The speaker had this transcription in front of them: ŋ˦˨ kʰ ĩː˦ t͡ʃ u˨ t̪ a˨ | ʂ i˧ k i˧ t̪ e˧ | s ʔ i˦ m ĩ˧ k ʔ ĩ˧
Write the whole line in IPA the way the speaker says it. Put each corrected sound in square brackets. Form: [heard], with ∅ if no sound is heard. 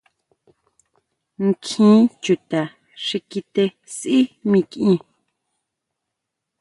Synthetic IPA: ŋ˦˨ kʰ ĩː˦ t͡ʃ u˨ t̪ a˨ | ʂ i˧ k i˧ t̪ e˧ | s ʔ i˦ m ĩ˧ k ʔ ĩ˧